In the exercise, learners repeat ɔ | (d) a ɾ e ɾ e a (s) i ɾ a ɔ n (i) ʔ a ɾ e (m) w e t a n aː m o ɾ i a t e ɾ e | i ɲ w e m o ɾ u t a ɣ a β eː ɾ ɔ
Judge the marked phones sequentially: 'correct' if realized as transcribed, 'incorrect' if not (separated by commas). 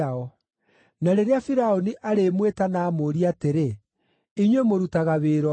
incorrect, incorrect, correct, correct